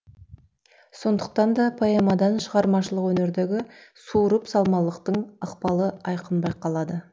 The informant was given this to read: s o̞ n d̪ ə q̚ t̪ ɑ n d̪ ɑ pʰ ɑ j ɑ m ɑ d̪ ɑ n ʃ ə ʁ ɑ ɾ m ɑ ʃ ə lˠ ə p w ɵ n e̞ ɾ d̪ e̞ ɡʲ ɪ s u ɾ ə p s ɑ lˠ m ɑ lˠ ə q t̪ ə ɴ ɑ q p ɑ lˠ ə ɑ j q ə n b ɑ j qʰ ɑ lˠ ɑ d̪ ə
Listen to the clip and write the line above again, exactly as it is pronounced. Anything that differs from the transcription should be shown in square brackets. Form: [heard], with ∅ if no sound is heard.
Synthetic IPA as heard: s o̞ n d̪ ə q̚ t̪ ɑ n d̪ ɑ pʰ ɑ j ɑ m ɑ d̪ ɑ n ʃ ə ʁ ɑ ɾ m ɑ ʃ ə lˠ ə [q] w ɵ n e̞ ɾ d̪ e̞ ɡʲ ɪ s u ɾ ə p s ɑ lˠ m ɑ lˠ ə q t̪ ə ɴ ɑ q p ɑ lˠ ə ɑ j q ə n b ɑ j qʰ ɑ lˠ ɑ d̪ ə